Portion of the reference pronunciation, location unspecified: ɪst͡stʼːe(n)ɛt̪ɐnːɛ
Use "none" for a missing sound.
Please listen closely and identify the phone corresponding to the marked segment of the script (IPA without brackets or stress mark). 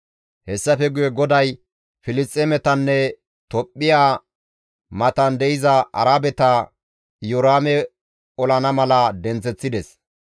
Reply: m